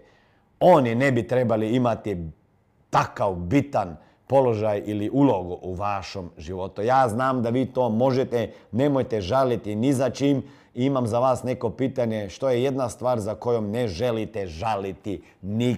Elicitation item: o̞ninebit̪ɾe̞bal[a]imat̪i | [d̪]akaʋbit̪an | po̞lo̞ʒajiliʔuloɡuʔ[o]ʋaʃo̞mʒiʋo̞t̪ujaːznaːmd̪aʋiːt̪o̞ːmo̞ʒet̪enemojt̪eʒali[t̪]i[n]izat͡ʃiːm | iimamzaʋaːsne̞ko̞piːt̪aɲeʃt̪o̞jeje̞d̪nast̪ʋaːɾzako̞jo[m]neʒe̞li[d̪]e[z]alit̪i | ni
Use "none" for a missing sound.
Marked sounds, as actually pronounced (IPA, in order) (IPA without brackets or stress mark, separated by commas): i, t̪, u, t̪, n, m, t̪, ʒ